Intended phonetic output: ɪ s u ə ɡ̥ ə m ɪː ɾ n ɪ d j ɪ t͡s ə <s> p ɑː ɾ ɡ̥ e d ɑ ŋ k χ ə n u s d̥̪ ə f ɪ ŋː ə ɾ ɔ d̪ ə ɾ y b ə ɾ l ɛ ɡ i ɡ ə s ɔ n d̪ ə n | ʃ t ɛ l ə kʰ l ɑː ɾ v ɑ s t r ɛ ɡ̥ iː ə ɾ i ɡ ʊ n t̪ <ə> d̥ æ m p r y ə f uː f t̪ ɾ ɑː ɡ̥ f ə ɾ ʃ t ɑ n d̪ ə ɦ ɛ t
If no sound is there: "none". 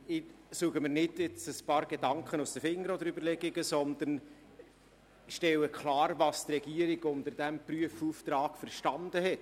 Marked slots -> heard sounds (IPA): s, ə

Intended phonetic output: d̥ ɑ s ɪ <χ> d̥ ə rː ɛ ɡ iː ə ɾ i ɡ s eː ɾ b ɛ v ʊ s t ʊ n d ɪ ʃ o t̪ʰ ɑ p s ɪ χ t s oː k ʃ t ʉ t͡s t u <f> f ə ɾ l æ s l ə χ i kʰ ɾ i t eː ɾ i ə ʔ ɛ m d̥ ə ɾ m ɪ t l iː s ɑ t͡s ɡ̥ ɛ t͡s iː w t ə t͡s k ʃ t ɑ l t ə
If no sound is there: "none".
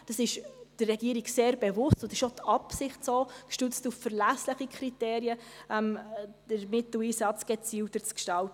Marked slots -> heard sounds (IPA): ʃ, f

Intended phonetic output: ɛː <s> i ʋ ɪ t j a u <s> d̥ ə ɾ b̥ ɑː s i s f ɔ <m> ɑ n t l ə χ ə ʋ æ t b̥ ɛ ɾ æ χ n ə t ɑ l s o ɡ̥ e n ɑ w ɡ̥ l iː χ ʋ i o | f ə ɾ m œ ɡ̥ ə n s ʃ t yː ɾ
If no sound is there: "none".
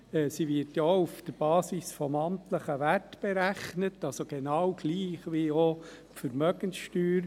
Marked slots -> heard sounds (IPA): s, f, m

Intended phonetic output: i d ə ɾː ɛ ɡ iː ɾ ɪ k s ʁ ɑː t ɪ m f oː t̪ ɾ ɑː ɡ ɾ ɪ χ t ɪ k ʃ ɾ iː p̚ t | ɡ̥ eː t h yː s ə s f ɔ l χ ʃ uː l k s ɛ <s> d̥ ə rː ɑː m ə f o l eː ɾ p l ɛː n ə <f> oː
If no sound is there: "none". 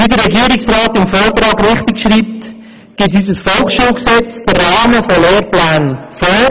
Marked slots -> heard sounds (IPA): t͡s, f

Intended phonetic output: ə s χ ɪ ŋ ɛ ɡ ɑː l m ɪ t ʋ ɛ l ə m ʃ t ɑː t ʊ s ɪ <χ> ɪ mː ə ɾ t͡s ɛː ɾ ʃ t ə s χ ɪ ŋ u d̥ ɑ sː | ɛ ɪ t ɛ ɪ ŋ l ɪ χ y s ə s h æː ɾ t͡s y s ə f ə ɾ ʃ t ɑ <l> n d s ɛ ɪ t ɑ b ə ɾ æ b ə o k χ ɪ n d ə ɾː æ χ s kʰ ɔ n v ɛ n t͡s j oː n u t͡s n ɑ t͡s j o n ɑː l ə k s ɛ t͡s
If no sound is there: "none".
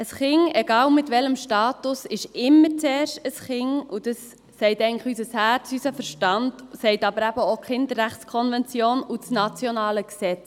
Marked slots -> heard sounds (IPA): ʃ, none

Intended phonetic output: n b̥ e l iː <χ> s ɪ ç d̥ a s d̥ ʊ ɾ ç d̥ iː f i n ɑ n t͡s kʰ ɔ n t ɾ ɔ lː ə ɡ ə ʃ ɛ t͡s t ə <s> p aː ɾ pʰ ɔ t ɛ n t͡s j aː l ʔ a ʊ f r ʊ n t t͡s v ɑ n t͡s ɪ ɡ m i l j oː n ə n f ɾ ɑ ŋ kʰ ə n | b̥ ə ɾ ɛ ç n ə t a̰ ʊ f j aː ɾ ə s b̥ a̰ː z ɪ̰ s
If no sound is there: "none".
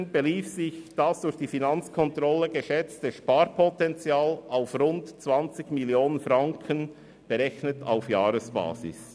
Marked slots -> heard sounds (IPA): f, ʃ

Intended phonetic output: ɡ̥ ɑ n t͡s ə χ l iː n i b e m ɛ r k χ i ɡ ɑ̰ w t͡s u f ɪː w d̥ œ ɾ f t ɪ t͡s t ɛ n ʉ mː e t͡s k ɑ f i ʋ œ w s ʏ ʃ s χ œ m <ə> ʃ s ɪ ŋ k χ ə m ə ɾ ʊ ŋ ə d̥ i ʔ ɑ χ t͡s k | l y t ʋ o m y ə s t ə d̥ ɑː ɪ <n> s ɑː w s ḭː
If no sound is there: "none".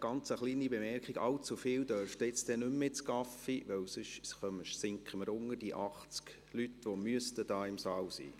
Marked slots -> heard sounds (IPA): ə, m

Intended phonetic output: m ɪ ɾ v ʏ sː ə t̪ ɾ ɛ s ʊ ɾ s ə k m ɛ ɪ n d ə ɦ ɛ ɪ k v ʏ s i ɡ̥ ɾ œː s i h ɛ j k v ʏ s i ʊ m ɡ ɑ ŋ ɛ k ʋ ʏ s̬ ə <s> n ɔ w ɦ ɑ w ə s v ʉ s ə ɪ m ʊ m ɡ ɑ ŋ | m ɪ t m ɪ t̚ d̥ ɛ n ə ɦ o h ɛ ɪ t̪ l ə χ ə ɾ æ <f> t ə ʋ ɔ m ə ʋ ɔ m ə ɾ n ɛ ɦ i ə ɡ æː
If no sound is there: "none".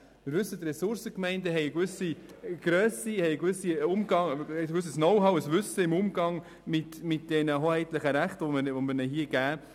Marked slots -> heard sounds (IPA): s, χ

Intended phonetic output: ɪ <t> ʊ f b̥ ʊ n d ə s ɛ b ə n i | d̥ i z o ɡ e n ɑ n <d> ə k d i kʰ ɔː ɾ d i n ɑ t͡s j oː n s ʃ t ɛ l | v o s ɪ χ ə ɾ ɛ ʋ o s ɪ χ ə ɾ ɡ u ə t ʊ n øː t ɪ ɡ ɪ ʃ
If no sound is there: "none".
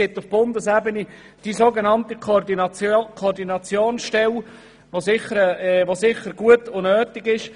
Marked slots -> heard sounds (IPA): t, t

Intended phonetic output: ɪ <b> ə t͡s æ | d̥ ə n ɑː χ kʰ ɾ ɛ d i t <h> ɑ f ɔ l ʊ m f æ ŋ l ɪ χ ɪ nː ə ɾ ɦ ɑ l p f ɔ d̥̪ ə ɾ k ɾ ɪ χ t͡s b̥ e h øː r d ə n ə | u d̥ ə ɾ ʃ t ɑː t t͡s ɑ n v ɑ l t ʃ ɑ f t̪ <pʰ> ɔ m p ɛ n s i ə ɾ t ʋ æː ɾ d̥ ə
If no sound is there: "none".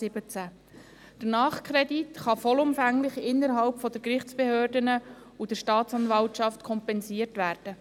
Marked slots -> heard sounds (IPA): b, χ, kʰ

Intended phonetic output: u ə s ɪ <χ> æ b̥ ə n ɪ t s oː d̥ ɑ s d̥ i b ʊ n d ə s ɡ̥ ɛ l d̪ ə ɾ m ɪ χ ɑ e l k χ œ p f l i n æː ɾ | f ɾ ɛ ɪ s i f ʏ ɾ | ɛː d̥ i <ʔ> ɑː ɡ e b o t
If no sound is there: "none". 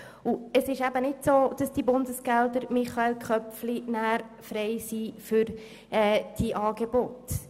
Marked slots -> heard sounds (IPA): ʃ, ʔ

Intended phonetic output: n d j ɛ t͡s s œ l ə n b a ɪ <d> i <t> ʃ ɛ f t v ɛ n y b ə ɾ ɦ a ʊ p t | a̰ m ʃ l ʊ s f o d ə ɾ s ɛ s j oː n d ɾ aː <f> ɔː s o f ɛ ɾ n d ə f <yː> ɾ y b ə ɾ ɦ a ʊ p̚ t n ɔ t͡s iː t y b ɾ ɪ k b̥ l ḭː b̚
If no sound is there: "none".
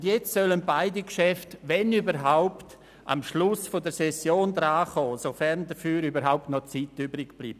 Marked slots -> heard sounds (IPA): d, k, χ, yː

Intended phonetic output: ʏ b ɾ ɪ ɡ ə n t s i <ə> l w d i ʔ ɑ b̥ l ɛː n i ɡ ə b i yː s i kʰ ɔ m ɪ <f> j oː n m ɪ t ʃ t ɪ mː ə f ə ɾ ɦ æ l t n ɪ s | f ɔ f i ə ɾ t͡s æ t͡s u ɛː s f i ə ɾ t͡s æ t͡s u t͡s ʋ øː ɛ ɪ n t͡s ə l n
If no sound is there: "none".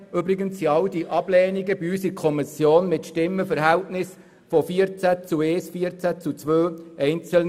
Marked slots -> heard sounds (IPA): ɑ, s

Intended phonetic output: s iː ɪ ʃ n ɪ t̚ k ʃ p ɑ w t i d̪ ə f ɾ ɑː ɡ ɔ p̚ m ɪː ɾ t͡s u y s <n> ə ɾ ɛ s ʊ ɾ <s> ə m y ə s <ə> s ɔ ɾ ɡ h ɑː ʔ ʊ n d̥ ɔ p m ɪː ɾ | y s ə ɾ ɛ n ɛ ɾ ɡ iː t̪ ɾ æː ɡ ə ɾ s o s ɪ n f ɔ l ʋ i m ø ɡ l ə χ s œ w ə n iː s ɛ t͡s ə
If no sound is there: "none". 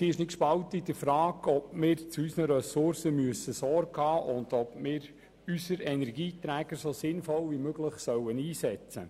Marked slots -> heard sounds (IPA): n, s, ə

